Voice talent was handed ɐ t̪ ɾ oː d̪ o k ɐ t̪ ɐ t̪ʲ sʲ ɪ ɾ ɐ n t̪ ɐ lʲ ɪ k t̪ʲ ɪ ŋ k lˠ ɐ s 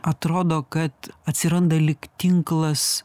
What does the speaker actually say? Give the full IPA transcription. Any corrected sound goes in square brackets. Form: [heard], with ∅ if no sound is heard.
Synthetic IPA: ɐ t̪ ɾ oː d̪ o k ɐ t̪ ɐ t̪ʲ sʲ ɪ ɾ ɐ n [d̪] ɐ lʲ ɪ k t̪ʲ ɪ ŋ k lˠ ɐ s